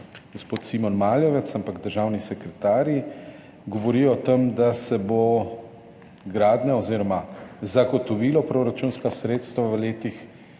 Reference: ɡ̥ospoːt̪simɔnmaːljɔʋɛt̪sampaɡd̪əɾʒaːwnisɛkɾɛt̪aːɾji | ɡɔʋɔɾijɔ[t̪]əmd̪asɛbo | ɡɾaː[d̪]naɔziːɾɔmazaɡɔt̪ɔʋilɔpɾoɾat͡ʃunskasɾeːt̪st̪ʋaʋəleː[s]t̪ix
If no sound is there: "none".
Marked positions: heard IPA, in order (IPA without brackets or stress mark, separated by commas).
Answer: t̪, d̪, none